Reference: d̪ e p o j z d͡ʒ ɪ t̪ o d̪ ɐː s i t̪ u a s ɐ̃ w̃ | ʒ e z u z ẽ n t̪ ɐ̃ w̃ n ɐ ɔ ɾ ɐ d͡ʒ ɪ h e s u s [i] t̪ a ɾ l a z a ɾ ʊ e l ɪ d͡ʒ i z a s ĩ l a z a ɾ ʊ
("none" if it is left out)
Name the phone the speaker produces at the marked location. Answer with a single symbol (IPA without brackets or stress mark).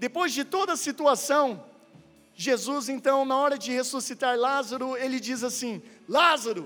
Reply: i